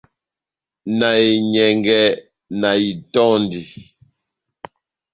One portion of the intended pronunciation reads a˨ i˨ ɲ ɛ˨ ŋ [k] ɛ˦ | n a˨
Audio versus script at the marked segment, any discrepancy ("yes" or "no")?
yes